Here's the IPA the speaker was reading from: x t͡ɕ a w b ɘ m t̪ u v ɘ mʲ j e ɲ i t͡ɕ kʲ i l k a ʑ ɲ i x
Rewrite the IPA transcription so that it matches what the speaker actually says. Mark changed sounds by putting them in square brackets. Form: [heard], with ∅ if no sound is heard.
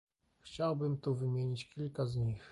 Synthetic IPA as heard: x t͡ɕ a w b ɘ m t̪ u v ɘ mʲ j e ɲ i t͡ɕ kʲ i l k a [z] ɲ i x